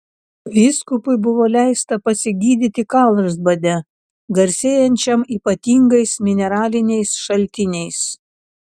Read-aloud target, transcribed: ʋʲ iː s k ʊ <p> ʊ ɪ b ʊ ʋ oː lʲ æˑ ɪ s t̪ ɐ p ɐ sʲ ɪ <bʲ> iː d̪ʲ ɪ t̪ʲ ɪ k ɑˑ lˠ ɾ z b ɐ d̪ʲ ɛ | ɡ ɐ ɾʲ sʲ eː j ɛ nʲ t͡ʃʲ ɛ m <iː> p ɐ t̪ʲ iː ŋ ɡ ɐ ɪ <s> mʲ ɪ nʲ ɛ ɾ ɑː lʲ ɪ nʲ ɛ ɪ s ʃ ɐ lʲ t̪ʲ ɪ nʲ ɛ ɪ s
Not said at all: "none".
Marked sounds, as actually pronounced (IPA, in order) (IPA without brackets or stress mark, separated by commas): p, ɡʲ, iː, s